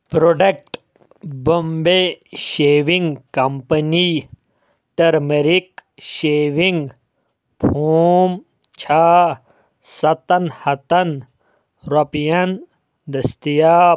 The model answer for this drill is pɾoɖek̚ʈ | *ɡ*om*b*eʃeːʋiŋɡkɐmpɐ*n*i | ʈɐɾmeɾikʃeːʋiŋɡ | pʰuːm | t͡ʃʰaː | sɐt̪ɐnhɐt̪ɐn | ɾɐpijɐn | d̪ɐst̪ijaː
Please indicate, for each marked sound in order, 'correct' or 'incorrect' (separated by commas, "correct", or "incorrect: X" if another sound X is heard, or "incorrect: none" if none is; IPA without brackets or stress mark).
incorrect: b, correct, correct